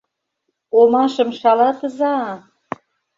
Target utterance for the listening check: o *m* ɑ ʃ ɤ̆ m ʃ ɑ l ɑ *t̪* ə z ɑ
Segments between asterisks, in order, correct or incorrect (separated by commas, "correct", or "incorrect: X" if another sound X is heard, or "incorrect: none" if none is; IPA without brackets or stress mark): correct, correct